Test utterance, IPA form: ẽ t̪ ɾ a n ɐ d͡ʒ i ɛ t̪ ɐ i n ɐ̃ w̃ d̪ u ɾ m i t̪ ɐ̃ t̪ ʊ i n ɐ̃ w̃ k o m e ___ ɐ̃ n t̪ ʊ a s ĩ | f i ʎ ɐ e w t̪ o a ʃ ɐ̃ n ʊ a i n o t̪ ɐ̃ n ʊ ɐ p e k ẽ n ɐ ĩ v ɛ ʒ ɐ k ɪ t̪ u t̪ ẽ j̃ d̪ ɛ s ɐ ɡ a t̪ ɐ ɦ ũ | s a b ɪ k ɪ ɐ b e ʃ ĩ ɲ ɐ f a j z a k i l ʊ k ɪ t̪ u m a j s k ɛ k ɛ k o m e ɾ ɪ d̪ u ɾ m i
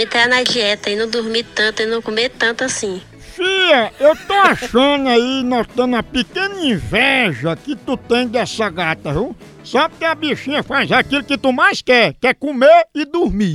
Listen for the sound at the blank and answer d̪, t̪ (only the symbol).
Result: t̪